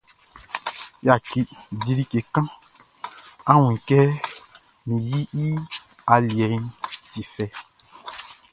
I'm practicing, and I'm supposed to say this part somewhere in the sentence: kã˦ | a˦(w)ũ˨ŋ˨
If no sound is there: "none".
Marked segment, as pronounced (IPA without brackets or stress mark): w